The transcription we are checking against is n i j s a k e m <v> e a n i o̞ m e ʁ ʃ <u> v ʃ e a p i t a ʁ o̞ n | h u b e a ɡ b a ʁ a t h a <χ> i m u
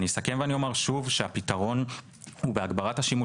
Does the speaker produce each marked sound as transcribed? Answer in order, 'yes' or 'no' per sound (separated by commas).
yes, yes, no